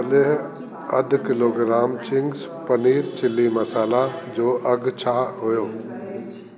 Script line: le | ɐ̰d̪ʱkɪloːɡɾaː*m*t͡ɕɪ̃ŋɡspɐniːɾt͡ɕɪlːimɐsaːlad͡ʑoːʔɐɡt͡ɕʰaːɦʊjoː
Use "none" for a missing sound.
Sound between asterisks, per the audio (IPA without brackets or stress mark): m